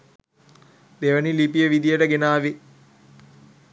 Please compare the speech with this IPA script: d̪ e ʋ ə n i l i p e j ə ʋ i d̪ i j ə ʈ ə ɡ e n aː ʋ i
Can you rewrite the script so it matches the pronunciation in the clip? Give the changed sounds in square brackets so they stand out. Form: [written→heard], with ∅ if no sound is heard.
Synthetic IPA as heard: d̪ e ʋ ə n i l i p [e→i] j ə ʋ i d̪ i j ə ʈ ə ɡ e n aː ʋ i